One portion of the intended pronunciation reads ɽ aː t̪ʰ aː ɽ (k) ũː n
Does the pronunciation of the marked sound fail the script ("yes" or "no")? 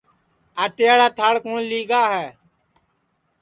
no